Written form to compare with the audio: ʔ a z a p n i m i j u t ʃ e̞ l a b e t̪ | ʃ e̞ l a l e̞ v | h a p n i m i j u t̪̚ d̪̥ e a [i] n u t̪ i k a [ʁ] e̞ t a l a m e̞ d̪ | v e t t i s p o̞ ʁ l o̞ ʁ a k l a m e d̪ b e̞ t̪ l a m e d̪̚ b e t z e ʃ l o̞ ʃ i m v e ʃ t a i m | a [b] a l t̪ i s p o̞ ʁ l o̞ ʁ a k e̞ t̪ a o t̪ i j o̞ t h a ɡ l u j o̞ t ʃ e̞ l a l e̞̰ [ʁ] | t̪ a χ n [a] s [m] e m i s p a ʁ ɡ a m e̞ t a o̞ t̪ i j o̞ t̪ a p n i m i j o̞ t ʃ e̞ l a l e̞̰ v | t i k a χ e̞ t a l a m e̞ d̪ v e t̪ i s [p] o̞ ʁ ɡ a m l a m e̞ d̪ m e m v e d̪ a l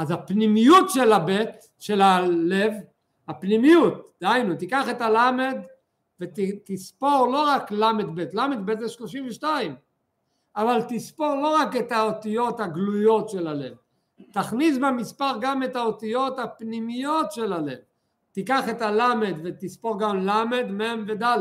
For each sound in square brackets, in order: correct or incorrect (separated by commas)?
incorrect, incorrect, incorrect, incorrect, incorrect, incorrect, correct